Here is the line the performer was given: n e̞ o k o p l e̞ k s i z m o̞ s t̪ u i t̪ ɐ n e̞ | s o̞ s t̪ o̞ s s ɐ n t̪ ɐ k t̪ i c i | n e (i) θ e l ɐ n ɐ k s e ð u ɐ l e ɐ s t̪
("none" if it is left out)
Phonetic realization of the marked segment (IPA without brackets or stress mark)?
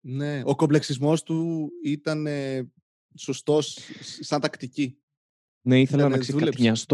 i